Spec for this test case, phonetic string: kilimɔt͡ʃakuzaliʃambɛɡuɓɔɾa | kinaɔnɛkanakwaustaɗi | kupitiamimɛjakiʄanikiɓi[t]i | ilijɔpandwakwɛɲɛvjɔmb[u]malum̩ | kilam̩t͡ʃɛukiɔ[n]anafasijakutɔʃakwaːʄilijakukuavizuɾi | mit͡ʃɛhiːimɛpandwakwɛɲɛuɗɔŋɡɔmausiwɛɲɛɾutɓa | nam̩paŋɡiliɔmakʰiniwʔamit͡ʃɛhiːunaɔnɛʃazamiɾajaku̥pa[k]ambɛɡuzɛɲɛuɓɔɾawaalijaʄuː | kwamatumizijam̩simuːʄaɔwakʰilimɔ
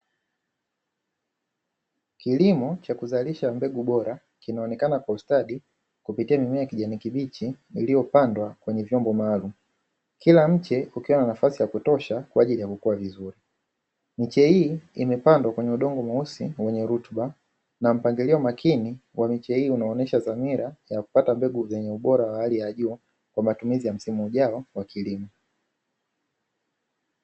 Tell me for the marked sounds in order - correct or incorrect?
incorrect, incorrect, correct, incorrect

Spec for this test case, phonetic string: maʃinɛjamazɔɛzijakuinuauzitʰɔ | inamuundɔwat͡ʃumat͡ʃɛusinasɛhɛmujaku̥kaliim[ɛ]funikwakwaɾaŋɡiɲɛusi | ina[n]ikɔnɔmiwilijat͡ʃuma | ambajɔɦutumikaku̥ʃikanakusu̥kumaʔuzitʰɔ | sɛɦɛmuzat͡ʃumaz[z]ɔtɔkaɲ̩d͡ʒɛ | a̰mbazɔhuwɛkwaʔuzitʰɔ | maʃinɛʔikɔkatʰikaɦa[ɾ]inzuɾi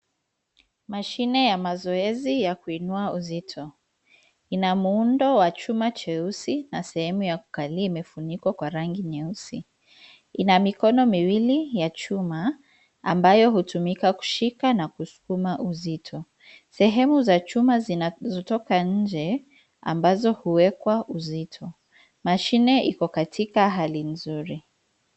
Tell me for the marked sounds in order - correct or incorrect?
correct, incorrect, correct, incorrect

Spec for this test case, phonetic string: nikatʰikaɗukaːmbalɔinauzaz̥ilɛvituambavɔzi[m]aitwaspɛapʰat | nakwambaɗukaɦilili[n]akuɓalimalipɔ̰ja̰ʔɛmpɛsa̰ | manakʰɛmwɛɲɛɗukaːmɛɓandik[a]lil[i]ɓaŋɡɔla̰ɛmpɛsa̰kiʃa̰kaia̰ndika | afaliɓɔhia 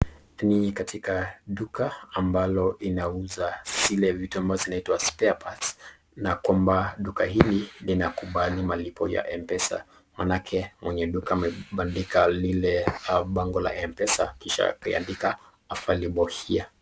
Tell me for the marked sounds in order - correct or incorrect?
incorrect, correct, correct, incorrect

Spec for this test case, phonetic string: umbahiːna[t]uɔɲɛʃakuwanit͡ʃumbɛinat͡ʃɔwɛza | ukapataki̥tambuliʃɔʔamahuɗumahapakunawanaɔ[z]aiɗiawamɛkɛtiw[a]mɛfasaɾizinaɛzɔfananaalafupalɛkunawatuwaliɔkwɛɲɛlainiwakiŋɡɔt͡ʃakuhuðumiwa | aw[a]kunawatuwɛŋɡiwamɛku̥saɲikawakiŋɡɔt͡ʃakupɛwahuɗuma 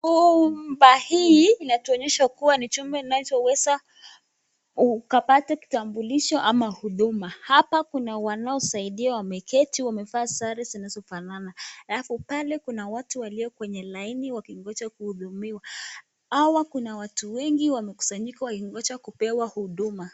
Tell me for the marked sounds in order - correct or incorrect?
correct, incorrect, correct, correct

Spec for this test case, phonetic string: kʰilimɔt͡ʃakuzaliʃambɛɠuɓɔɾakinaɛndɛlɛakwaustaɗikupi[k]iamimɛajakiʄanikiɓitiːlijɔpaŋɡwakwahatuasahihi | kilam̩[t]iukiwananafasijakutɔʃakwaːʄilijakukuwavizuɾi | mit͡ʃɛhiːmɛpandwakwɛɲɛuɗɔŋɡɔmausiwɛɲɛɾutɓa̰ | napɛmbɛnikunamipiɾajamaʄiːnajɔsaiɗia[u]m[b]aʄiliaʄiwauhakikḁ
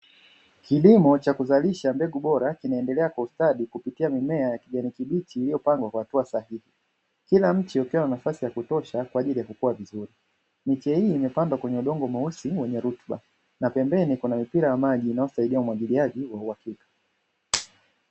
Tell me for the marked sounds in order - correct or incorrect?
incorrect, incorrect, correct, incorrect

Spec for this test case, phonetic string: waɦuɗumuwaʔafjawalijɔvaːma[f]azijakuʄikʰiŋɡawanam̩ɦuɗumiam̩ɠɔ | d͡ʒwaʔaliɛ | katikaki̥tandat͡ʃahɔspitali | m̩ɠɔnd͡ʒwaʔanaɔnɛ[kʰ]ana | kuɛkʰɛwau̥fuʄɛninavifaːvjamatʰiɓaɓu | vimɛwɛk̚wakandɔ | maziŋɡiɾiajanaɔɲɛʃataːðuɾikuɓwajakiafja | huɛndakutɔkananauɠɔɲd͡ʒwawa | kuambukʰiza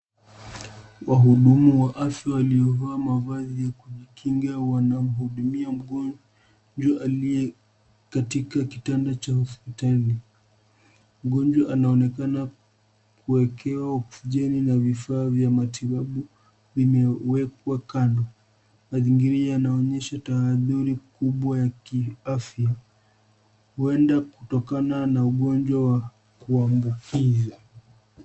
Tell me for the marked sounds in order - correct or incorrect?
incorrect, incorrect

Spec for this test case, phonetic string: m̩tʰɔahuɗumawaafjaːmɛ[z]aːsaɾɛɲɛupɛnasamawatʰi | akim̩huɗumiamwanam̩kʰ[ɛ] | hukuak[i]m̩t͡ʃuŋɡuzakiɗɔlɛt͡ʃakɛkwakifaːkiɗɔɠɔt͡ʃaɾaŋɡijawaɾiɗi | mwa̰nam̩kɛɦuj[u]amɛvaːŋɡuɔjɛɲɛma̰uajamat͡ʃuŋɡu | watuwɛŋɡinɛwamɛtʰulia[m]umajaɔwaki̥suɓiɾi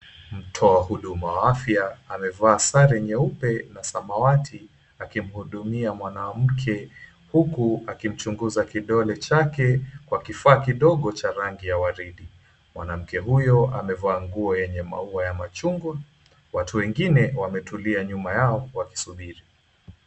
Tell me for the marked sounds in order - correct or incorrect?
incorrect, correct, correct, incorrect, incorrect

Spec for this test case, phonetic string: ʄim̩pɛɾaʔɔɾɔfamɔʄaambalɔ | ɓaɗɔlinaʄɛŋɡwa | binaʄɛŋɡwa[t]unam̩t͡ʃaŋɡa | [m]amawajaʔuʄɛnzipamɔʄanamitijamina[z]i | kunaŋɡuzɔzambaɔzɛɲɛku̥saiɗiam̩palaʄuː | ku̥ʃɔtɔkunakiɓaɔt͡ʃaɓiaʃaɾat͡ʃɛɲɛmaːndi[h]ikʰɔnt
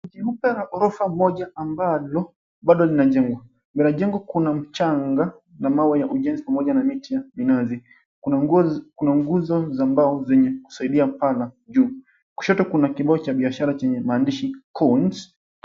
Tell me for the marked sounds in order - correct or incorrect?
incorrect, incorrect, correct, incorrect

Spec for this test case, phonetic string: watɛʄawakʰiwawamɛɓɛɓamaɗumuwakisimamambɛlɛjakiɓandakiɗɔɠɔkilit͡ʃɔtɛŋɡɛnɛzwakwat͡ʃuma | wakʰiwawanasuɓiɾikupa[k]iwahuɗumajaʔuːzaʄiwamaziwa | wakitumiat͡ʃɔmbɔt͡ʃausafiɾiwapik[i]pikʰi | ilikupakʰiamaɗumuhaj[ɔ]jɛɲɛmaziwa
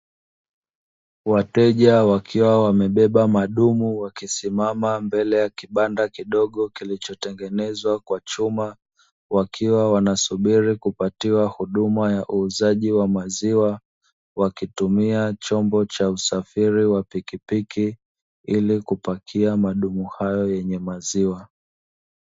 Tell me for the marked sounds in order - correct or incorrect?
incorrect, correct, correct

